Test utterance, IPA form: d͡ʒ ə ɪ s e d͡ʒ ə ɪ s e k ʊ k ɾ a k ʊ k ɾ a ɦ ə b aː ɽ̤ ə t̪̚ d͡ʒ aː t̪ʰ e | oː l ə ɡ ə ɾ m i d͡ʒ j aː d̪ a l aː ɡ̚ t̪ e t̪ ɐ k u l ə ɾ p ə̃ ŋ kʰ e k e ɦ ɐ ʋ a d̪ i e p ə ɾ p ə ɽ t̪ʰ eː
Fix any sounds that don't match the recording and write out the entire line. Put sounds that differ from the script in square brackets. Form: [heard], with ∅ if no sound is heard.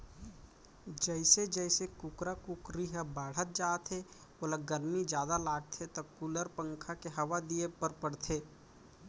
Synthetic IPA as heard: d͡ʒ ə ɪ s e d͡ʒ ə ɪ s e k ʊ k ɾ a k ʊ k ɾ [i] ɦ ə b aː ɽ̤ ə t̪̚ d͡ʒ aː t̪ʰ e | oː l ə ɡ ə ɾ m i d͡ʒ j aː d̪ a l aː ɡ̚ [t̪ʰ] e t̪ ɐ k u l ə ɾ p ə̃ ŋ kʰ [a] k e ɦ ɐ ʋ a d̪ i e p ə ɾ p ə ɽ t̪ʰ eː

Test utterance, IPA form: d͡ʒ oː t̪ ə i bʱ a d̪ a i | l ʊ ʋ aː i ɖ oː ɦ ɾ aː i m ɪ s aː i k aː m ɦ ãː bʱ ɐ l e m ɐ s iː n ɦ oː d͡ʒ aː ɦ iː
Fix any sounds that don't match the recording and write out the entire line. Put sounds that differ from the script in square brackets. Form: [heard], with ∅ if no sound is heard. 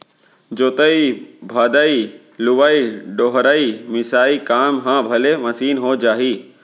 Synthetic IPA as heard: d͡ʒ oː t̪ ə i bʱ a d̪ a i | l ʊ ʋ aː i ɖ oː ɦ ɾ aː i m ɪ s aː i k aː m ɦ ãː bʱ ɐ l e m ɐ s iː n ɦ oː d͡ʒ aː ɦ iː

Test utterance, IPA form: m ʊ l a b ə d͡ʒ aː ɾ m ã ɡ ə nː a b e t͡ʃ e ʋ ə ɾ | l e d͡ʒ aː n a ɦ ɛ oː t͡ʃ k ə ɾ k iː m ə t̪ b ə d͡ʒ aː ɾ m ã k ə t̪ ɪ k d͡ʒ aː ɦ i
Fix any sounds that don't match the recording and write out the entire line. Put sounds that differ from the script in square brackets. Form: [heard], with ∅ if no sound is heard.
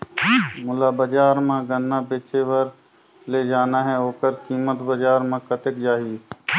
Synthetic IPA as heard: m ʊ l a b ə d͡ʒ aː ɾ m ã ɡ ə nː a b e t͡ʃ e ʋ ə ɾ | l e d͡ʒ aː n a ɦ ɛ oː [∅] k ə ɾ k iː m ə t̪ b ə d͡ʒ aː ɾ m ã k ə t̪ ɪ k d͡ʒ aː ɦ i

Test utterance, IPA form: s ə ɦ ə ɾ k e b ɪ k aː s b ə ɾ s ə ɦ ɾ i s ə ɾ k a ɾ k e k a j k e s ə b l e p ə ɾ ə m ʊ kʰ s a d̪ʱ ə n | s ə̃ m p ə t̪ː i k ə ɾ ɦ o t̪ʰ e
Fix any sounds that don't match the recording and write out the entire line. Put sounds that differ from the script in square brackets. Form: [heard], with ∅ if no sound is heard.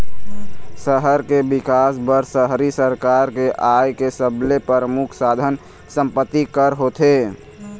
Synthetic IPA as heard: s ə ɦ ə ɾ k e b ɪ k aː s b ə ɾ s ə ɦ ɾ i s ə ɾ k a ɾ k e [ʔ] a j k e s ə b l e p ə ɾ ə m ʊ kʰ s a d̪ʱ ə n | s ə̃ m p ə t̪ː i k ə ɾ ɦ o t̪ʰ e

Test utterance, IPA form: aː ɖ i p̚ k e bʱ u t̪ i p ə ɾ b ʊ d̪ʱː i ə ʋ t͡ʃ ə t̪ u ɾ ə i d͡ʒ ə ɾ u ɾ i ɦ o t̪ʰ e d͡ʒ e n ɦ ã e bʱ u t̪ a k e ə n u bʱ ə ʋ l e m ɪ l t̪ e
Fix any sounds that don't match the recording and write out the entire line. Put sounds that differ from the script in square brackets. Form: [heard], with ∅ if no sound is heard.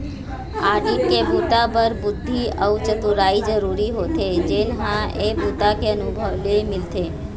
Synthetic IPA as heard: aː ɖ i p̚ k e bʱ u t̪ [a] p ə ɾ b ʊ d̪ʱː i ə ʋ t͡ʃ ə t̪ u ɾ [a] i d͡ʒ ə ɾ u ɾ i ɦ o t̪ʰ e d͡ʒ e n ɦ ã e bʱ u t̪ a k e ə n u bʱ ə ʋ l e m ɪ l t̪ e

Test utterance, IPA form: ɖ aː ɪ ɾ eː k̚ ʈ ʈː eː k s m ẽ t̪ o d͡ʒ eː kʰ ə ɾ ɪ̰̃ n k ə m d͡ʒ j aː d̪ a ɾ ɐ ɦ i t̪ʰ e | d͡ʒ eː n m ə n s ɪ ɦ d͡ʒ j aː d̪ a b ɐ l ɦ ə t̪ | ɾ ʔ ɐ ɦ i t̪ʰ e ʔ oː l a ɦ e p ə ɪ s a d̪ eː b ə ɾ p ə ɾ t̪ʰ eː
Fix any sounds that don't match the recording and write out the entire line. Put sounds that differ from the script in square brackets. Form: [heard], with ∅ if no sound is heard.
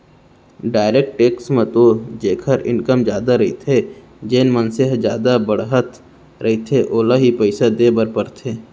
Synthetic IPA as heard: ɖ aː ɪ ɾ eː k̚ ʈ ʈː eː k s m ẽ t̪ o d͡ʒ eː kʰ ə ɾ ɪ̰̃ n k ə m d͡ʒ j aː d̪ a ɾ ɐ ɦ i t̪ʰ e | d͡ʒ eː n m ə n s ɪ ɦ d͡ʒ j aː d̪ a b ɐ [ɽ] ɦ ə t̪ | ɾ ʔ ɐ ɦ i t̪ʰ e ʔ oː l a ɦ [i] p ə ɪ s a d̪ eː b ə ɾ p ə ɾ t̪ʰ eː

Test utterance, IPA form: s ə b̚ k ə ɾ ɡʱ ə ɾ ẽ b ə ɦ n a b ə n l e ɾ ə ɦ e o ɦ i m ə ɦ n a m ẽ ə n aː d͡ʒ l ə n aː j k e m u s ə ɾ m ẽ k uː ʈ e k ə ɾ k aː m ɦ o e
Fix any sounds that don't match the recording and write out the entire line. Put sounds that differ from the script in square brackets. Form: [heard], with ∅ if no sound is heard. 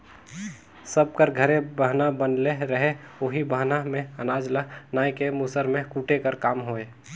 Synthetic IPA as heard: s ə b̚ k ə ɾ ɡʱ ə ɾ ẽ b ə ɦ n a b ə n l e ɾ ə ɦ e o ɦ i [b] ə ɦ n a m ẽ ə n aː d͡ʒ l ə n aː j k e m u s ə ɾ m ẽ k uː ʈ e k ə ɾ k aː m ɦ o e

